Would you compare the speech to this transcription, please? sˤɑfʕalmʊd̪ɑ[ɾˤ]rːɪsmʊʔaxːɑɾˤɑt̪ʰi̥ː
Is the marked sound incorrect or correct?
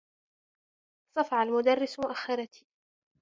incorrect